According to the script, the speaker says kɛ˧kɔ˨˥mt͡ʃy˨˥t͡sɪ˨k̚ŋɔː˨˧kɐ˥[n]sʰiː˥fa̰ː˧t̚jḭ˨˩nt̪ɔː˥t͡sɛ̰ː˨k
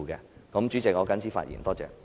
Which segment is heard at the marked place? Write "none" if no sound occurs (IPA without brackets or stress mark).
n